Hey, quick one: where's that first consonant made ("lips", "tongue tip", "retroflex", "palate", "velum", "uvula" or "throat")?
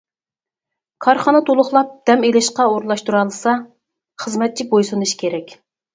velum